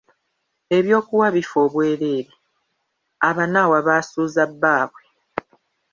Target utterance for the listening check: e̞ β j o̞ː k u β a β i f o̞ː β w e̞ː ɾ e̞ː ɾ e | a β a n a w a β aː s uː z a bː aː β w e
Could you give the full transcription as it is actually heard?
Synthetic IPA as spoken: e̞ β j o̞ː k u w a β i f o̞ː β w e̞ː ɾ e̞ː ɾ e | a β a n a w a β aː s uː z a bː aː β w e